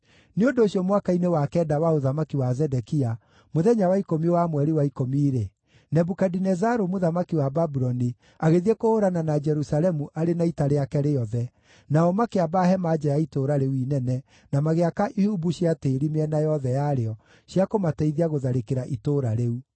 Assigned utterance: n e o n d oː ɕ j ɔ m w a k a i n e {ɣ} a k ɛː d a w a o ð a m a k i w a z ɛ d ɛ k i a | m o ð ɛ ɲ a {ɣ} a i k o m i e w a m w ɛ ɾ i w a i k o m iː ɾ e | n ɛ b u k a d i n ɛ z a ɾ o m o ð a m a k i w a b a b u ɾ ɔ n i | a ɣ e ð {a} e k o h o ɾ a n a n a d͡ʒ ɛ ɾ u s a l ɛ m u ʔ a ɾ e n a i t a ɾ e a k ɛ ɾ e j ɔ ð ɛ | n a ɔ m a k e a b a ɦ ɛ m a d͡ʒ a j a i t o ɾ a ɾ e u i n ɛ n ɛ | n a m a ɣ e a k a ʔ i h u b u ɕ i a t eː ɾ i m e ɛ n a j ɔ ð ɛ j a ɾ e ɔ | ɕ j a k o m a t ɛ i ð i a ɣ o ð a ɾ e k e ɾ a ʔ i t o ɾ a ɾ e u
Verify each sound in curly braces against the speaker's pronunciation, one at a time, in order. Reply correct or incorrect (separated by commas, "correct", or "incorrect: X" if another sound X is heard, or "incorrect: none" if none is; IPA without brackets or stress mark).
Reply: incorrect: w, incorrect: w, incorrect: i